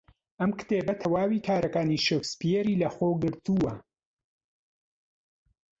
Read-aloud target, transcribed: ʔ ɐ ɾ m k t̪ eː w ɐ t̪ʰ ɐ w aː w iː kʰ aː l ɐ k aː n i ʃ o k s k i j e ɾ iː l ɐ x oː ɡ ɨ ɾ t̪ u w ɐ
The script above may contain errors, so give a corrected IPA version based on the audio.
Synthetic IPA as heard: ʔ ɐ m k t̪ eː b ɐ t̪ʰ ɐ w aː w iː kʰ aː ɾ ɐ k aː n i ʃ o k s p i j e ɾ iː l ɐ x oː ɡ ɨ ɾ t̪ u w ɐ

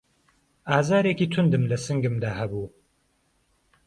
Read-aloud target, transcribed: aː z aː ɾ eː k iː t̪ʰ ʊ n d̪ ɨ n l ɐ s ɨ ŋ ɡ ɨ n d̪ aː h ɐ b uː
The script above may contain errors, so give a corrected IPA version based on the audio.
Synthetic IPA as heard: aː z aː ɾ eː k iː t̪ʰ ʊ n d̪ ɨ m l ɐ s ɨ ŋ ɡ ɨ m d̪ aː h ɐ b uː

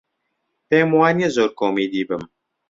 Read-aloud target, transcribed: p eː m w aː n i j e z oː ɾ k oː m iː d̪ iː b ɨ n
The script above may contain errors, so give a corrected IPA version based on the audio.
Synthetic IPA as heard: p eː m w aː n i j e z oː ɾ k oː m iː d̪ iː b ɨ m

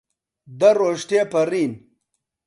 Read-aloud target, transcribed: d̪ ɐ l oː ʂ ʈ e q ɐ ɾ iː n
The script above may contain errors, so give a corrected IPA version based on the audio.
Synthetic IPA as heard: d̪ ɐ ɾ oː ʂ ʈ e p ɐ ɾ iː n

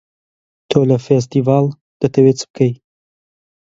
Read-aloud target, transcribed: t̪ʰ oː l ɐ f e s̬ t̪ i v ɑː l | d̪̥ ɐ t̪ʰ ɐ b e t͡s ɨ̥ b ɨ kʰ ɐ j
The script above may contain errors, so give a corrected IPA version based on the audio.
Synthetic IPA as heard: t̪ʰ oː l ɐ f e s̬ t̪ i v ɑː l | d̪̥ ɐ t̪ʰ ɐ w e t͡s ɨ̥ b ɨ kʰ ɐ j

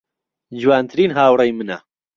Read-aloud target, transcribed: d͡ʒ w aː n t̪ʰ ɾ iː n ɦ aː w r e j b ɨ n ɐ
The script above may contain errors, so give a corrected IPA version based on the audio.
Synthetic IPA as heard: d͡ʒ w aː n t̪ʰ ɾ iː n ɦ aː w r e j m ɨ n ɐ

